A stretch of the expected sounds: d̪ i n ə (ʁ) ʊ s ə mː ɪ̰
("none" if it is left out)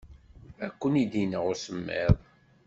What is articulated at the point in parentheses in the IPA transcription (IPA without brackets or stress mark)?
ʁ